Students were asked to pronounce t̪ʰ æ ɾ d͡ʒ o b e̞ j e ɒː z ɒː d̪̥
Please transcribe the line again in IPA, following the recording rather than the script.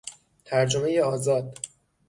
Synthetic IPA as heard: t̪ʰ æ ɾ d͡ʒ o m e̞ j e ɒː z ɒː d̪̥